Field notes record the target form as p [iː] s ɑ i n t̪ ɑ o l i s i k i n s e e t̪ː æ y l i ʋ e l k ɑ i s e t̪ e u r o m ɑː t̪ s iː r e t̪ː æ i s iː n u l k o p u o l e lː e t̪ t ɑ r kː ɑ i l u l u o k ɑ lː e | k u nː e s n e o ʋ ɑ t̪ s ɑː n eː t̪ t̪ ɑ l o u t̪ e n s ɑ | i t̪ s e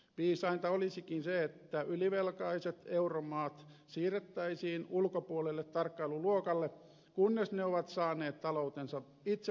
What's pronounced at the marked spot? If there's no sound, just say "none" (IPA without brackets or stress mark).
iː